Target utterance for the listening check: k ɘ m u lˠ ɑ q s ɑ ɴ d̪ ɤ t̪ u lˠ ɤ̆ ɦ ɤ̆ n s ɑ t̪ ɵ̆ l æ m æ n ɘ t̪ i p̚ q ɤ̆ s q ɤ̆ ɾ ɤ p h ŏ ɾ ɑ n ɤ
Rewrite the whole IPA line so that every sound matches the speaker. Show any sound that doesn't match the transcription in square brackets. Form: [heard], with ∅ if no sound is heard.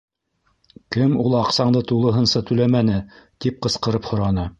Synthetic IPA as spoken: k ɘ m u lˠ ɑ q s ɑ ɴ d̪ ɤ t̪ u lˠ ɤ̆ ɦ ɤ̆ n s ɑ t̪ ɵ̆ l æ m æ n ɘ t̪ i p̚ q ɤ̆ s q ɤ̆ ɾ ɤ p h ŏ ɾ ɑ n ɤ

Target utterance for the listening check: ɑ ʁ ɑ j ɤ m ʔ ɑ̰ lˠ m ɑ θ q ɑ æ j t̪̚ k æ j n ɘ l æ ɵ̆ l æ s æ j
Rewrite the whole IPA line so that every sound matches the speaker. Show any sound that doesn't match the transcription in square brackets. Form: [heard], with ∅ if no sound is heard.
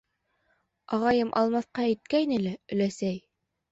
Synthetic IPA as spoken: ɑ ʁ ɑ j ɤ m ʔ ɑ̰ lˠ m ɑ θ q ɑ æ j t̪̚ k æ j n ɘ l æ ɵ̆ l æ s æ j

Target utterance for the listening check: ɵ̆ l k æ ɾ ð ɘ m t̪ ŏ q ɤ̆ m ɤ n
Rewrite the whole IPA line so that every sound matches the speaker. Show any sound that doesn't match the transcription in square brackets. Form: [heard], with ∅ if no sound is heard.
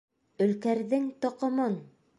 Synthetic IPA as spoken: ɵ̆ l k æ ɾ ð ɘ [ŋ] t̪ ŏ q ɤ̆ m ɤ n

